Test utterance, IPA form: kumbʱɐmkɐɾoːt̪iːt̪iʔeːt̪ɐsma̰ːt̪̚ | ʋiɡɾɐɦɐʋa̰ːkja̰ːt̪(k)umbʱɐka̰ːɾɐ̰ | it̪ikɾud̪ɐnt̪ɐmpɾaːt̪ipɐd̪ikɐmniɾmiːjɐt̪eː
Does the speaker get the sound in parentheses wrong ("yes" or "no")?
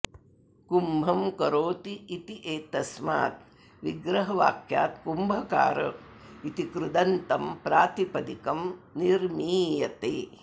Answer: no